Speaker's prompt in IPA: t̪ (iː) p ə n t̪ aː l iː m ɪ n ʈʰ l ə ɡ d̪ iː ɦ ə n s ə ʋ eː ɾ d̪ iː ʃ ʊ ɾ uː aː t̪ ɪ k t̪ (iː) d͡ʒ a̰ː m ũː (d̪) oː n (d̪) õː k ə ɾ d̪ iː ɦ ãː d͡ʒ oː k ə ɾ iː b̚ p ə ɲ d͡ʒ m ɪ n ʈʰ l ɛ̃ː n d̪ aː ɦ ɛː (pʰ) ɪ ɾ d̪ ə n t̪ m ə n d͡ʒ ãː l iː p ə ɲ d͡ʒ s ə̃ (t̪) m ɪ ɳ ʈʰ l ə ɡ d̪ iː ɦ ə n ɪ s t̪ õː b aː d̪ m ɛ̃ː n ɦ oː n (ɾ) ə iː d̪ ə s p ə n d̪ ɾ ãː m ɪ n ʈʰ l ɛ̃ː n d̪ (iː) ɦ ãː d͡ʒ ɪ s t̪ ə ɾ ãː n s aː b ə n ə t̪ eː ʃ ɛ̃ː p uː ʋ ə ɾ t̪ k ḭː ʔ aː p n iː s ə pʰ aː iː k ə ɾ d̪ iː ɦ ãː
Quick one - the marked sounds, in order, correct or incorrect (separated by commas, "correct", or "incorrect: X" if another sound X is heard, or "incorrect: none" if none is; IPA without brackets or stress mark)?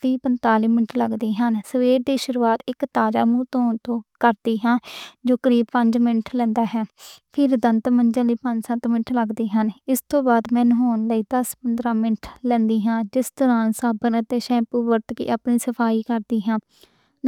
correct, incorrect: aː, incorrect: t̪, incorrect: t̪, correct, correct, incorrect: l, correct